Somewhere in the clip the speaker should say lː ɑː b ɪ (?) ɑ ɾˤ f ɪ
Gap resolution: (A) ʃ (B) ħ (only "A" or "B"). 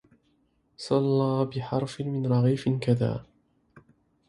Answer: B